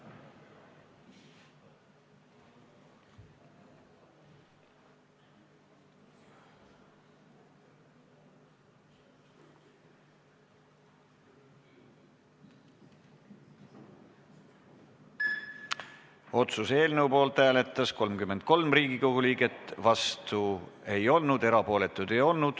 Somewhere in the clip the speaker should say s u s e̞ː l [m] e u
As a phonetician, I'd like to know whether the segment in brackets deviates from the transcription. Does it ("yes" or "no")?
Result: yes